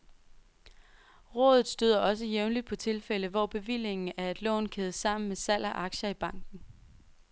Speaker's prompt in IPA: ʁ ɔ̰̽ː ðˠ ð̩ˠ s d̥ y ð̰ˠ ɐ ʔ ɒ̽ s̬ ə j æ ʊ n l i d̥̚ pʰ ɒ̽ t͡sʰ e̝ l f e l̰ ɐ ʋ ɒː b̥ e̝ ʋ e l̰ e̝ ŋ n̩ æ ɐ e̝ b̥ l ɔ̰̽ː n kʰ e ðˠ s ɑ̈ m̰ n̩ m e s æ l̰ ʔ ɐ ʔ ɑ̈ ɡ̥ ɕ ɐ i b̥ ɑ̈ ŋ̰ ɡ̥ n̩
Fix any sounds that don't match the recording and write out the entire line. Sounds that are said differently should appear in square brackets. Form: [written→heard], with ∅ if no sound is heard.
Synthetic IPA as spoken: ʁ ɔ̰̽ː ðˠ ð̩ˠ s d̥ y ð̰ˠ ɐ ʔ ɒ̽ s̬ ə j [æ→e] ʊ n l i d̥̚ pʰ ɒ̽ t͡sʰ e̝ l f e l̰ [ɐ→ə] ʋ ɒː b̥ e̝ ʋ [e→i] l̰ e̝ ŋ n̩ æ ɐ e̝ [b̥→d̥] l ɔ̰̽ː n kʰ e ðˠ s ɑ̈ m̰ n̩ m e s æ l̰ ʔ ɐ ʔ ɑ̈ ɡ̥ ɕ ɐ i b̥ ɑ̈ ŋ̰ ɡ̥ n̩